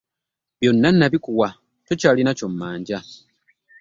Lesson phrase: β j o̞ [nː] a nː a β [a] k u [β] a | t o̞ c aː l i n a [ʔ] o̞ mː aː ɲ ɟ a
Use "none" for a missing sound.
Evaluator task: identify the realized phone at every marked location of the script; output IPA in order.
nː, i, w, c

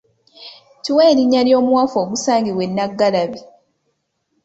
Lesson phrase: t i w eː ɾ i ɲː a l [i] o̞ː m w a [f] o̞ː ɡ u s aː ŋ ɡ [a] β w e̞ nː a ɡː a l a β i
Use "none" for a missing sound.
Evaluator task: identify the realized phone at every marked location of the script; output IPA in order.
j, f, i

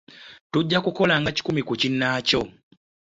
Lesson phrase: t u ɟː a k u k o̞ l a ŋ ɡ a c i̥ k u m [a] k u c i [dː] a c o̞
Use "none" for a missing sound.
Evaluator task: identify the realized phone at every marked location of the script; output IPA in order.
i, nː

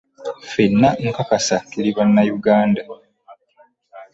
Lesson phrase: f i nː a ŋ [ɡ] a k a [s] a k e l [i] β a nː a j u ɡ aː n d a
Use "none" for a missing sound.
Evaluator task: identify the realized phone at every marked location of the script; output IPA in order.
k, s, i

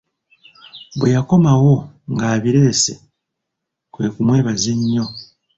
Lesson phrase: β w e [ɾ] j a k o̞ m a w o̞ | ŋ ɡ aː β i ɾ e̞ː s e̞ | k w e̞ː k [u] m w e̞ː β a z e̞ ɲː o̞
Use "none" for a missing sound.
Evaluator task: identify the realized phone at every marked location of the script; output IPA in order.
none, u

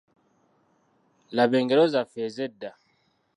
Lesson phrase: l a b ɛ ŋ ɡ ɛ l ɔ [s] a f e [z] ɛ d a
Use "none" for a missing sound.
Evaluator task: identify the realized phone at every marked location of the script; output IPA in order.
z, z

